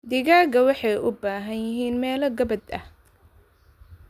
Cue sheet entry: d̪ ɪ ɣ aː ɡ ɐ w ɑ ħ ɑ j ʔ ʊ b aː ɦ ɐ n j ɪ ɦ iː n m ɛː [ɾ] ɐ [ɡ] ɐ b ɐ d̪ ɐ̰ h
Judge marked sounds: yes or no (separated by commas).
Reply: no, yes